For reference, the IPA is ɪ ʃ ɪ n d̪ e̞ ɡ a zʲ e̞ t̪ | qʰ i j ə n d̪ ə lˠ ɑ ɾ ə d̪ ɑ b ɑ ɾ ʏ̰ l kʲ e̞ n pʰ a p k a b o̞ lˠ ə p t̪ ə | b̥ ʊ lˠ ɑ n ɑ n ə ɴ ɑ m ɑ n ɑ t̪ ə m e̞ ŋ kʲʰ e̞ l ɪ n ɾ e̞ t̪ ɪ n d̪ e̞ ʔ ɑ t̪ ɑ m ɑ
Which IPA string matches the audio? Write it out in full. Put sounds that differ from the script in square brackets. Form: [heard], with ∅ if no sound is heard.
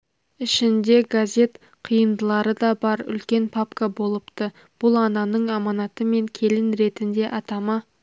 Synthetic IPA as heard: ɪ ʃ ɪ n d̪ e̞ ɡ a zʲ e̞ t̪ | qʰ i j ə n d̪ ə lˠ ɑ ɾ ə d̪ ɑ b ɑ ɾ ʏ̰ l kʲ e̞ n pʰ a p k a b o̞ lˠ ə p t̪ ə | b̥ ʊ lˠ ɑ n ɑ n ə ɴ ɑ m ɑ n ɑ t̪ ə m e̞ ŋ kʲʰ e̞ l ɪ n ɾ e̞ t̪ ɪ n d̪ e̞ ʔ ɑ t̪ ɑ m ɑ